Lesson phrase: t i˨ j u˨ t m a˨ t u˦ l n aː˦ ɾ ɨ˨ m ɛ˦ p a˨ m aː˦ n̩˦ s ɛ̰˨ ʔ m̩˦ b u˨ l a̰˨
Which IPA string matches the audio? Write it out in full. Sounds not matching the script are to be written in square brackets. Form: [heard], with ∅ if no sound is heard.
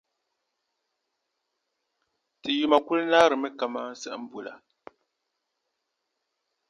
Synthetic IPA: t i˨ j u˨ [∅] m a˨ [k] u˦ l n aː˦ ɾ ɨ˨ m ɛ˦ [k] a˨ m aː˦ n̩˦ s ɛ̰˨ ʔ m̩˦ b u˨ l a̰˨